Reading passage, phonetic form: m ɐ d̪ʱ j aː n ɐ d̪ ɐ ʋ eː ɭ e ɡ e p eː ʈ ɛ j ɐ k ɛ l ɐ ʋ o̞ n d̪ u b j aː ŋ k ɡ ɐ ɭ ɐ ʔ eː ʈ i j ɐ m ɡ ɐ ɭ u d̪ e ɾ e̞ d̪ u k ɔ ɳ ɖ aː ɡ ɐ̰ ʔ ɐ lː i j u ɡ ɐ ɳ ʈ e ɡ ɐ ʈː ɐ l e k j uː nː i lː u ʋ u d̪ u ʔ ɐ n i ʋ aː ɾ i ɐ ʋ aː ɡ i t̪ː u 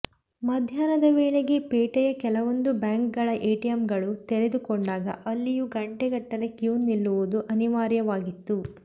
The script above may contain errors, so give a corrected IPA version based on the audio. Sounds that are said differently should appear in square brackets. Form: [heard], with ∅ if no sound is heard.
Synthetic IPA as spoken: m ɐ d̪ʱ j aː n ɐ d̪ ɐ ʋ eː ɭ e ɡ e p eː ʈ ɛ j ɐ k ɛ l ɐ ʋ o̞ n d̪ u b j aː ŋ k ɡ ɐ ɭ ɐ ʔ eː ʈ i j ɐ m ɡ ɐ ɭ u [t̪] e ɾ e̞ d̪ u k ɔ ɳ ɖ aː ɡ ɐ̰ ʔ ɐ lː i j u ɡ ɐ ɳ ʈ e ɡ ɐ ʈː ɐ l e k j uː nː i lː u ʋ u d̪ u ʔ ɐ n i ʋ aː ɾ [j] ɐ ʋ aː ɡ i t̪ː u

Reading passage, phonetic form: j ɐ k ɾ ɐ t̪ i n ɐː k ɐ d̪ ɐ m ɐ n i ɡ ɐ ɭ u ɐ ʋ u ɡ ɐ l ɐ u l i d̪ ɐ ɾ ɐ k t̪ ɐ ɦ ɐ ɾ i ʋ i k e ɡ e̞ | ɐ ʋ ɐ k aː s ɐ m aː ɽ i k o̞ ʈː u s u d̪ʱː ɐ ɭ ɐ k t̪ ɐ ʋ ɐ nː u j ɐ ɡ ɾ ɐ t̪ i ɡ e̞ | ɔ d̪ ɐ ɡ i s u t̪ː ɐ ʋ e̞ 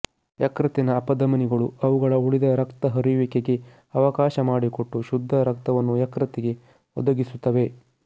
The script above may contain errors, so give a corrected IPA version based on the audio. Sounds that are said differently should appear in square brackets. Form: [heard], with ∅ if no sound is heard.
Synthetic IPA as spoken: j ɐ k ɾ ɐ t̪ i n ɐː [p] ɐ d̪ ɐ m ɐ n i ɡ ɐ ɭ u ɐ ʋ u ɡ ɐ [ɭ] ɐ u [ɭ] i d̪ ɐ ɾ ɐ k t̪ ɐ ɦ ɐ ɾ i ʋ i k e ɡ e̞ | ɐ ʋ ɐ k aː [ʃ] ɐ m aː ɽ i k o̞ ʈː u [ʃ] u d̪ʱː ɐ [ɾ] ɐ k t̪ ɐ ʋ ɐ nː u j ɐ [k] ɾ ɐ t̪ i ɡ e̞ | ɔ d̪ ɐ ɡ i s u t̪ː ɐ ʋ e̞

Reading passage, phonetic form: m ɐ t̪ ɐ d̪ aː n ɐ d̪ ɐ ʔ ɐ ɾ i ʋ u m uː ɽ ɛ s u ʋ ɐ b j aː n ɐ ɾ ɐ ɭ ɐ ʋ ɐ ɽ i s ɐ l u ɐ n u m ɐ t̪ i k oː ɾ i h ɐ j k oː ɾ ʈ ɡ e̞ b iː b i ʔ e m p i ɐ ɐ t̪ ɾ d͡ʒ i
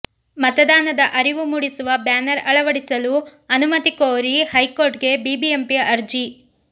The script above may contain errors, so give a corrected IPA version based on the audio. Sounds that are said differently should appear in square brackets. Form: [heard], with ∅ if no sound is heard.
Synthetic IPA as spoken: m ɐ t̪ ɐ d̪ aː n ɐ d̪ ɐ ʔ ɐ ɾ i ʋ u m uː ɽ [i] s u ʋ ɐ b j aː n ɐ ɾ ɐ ɭ ɐ ʋ ɐ ɽ i s ɐ l u ɐ n u m ɐ t̪ i k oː ɾ i h ɐ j k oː ɾ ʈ ɡ e̞ b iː b i [∅] e m p i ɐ ɐ [∅] ɾ d͡ʒ i

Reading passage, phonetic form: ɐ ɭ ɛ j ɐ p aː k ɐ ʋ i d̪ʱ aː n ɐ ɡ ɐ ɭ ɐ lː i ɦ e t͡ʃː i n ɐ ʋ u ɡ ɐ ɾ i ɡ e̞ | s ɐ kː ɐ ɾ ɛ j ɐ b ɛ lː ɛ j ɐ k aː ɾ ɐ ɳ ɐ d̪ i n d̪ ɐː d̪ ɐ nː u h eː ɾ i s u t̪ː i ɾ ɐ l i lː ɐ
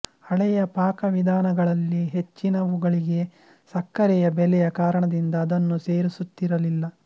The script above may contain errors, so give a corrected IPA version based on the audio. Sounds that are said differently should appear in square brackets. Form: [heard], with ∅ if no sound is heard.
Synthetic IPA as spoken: ɐ ɭ ɛ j ɐ p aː k ɐ ʋ i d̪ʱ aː n ɐ ɡ ɐ ɭ ɐ lː i ɦ e t͡ʃː i n ɐ ʋ u ɡ ɐ [ɭ] i ɡ e̞ | s ɐ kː ɐ ɾ ɛ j ɐ b ɛ [l] ɛ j ɐ k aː ɾ ɐ ɳ ɐ d̪ i n d̪ ɐː d̪ ɐ nː u [s] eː ɾ i s u t̪ː i ɾ ɐ l i lː ɐ

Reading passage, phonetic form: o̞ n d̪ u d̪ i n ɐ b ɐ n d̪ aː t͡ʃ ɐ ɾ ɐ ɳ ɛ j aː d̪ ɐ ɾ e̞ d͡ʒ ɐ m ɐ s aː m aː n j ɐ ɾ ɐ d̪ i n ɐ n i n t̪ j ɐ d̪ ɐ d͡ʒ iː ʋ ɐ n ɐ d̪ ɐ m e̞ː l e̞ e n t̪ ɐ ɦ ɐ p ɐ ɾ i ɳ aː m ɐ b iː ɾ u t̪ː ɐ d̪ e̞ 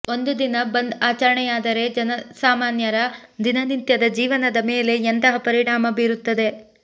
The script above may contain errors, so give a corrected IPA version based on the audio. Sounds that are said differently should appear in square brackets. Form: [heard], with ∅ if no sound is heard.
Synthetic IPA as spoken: o̞ n d̪ u d̪ i n ɐ b ɐ n d̪ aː t͡ʃ ɐ ɾ ɐ ɳ ɛ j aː d̪ ɐ ɾ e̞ d͡ʒ ɐ [n] ɐ s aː m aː n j ɐ ɾ ɐ d̪ i n ɐ n i n t̪ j ɐ d̪ ɐ d͡ʒ iː ʋ ɐ n ɐ d̪ ɐ m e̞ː l e̞ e n t̪ ɐ ɦ ɐ p ɐ ɾ i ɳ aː m ɐ b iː ɾ u t̪ː ɐ d̪ e̞

